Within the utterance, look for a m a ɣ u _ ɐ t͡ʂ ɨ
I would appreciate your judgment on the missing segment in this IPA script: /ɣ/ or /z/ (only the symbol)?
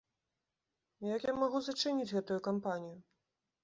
z